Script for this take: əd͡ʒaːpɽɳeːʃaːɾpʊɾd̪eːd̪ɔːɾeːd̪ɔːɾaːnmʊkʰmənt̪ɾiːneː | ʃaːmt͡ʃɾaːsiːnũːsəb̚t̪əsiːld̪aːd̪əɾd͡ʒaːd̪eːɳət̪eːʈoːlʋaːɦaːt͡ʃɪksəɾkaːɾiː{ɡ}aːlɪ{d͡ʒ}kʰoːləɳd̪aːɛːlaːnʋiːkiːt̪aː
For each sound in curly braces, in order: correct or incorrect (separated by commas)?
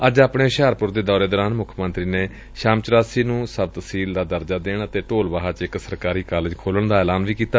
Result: incorrect, correct